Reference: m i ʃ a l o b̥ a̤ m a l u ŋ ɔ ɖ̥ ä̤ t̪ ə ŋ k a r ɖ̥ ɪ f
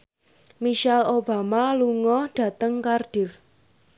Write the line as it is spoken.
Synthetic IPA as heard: m i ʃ a l o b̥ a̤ m a l u ŋ ɔ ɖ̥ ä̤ t̪ ə ŋ k a r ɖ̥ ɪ f